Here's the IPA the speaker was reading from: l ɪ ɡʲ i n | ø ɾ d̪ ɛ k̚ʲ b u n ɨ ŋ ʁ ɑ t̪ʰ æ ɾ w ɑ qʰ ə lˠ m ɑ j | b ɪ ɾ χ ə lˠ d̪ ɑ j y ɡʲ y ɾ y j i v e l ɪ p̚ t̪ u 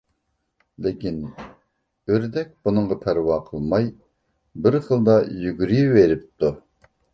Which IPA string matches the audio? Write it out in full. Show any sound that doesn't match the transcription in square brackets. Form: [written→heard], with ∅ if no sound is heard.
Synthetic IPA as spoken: l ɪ [ɡʲ→kʲ] i n | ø ɾ d̪ ɛ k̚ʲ b u n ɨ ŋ ʁ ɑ t̪ʰ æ ɾ w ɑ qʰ ə lˠ m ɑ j | b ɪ ɾ χ ə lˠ d̪ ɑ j y ɡʲ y ɾ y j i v e [l→ɾ] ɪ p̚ t̪ u